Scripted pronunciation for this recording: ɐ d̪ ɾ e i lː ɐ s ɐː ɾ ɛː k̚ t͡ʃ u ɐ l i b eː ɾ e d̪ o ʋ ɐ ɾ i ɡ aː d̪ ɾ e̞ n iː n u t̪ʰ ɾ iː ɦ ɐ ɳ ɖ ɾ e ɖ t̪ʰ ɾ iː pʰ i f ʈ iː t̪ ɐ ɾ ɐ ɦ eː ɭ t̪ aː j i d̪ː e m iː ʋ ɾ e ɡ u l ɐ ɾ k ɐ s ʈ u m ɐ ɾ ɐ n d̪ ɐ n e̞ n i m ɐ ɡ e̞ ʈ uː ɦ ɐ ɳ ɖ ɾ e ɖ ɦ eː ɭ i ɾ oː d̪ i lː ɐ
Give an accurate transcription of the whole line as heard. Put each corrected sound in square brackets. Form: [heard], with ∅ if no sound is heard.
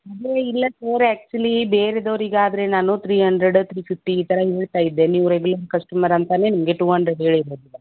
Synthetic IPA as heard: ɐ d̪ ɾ e i lː ɐ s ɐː ɾ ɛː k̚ t͡ʃ u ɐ l i b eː ɾ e d̪ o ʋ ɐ ɾ i ɡ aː d̪ ɾ e̞ n [aː] n u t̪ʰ ɾ iː ɦ ɐ ɳ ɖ ɾ e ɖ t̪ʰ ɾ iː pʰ i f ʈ iː t̪ ɐ ɾ ɐ ɦ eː ɭ t̪ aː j i d̪ː e [n] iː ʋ ɾ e ɡ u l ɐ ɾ k ɐ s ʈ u m ɐ ɾ ɐ n [t̪] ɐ n e̞ n i m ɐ ɡ e̞ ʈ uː ɦ ɐ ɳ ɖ ɾ e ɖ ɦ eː ɭ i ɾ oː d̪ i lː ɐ